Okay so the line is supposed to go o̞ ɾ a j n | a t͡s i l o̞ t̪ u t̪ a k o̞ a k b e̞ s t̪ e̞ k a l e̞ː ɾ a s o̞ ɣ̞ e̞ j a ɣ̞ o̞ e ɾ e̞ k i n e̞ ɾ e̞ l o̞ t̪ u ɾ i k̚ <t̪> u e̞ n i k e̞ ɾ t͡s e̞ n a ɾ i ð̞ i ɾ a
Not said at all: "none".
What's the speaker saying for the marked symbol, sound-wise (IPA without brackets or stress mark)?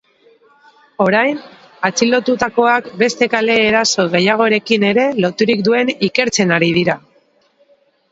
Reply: d̪